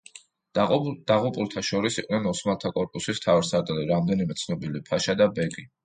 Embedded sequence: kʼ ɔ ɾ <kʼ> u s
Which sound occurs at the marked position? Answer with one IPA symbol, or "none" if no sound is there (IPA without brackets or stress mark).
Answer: pʼ